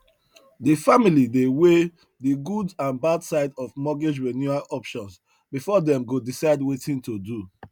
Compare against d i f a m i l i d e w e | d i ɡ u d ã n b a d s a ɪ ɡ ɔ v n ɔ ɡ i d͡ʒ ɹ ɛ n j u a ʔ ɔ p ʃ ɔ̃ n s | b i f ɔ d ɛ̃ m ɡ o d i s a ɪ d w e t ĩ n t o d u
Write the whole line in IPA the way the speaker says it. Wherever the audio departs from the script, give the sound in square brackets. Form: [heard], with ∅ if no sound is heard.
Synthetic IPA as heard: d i f a m i l i d e w e | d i ɡ u d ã n b a d s a ɪ [d] ɔ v [m] ɔ ɡ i d͡ʒ ɹ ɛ n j u a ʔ ɔ p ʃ ɔ̃ n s | b i f ɔ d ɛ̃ m ɡ o d i s a ɪ d w e t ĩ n t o d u